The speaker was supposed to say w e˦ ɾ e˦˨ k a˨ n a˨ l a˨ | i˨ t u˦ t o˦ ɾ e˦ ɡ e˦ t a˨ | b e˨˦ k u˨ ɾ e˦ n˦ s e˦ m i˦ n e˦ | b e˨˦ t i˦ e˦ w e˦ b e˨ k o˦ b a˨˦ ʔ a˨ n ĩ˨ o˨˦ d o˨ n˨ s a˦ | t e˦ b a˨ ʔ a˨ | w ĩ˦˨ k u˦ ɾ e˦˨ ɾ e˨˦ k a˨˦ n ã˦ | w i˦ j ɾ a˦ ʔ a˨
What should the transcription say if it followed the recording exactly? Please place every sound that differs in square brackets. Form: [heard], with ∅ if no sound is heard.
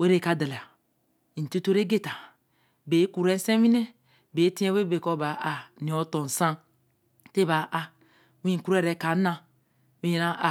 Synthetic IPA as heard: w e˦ ɾ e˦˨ k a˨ [d] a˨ l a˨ | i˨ t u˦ t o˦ ɾ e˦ ɡ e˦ t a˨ | b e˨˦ k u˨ ɾ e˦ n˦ s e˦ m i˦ n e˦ | b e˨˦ t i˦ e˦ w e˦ b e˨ k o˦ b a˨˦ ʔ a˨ n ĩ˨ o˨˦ [t] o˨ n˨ s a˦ | t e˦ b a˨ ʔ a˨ | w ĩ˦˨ k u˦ ɾ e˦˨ ɾ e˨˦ k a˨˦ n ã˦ | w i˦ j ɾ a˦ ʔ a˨